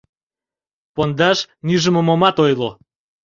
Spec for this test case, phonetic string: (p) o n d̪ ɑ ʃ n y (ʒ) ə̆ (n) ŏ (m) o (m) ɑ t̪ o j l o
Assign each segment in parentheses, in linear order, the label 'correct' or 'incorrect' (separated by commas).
correct, correct, incorrect, correct, correct